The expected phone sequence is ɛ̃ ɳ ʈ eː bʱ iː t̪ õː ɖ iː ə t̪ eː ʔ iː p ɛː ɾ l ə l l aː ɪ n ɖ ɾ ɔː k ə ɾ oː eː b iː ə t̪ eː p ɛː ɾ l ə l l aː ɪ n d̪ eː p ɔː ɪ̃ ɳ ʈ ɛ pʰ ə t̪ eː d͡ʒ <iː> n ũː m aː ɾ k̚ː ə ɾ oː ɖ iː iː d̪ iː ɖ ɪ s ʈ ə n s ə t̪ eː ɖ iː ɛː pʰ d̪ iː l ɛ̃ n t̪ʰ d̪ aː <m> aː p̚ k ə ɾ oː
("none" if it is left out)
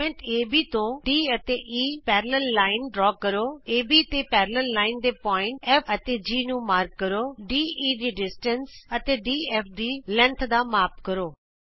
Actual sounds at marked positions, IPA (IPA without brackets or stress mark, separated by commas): iː, m